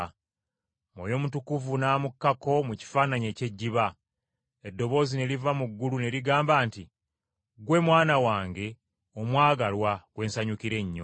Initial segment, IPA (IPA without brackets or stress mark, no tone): m